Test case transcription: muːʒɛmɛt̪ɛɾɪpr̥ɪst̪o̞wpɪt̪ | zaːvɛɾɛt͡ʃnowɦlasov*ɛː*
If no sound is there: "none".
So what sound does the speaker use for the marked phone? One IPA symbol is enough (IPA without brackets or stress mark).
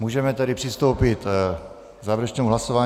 aː